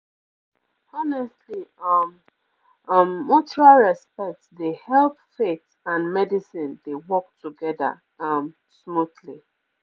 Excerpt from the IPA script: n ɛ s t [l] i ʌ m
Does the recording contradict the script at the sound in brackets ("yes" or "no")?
no